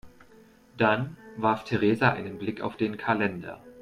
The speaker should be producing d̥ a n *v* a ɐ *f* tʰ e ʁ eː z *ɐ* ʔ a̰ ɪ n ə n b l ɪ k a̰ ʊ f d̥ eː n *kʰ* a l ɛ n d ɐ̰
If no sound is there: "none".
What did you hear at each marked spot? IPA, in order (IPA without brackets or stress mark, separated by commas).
v, f, a, kʰ